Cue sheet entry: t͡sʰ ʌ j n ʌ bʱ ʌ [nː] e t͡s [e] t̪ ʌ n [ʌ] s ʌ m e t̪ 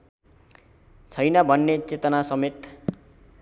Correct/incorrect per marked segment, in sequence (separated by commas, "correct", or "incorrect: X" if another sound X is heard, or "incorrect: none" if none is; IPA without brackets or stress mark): correct, correct, incorrect: a